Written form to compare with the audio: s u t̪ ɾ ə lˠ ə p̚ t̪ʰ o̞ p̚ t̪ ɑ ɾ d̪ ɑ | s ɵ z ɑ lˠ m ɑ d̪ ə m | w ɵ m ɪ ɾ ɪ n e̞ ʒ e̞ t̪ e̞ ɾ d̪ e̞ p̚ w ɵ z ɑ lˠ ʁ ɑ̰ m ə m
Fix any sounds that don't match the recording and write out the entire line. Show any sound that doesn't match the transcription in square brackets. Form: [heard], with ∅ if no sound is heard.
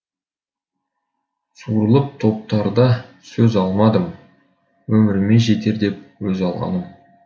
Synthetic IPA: s u [∅] ɾ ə lˠ ə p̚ t̪ʰ o̞ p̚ t̪ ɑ ɾ d̪ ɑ | s ɵ z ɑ lˠ m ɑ d̪ ə m | w ɵ m ɪ ɾ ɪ [m] e̞ ʒ e̞ t̪ e̞ ɾ d̪ e̞ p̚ w ɵ z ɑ lˠ ʁ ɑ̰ [n] ə m